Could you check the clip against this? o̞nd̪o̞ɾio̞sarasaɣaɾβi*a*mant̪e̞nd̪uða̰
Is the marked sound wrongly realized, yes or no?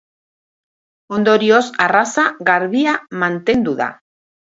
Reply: no